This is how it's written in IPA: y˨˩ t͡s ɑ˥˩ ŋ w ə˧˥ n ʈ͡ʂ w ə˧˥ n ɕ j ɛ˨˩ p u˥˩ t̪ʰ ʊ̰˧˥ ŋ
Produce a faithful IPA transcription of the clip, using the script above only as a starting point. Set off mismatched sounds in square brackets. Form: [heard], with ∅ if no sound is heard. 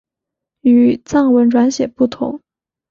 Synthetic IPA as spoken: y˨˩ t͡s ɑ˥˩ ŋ w ə˧˥ n ʈ͡ʂ w [a˧˥] n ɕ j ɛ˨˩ p u˥˩ t̪ʰ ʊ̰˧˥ ŋ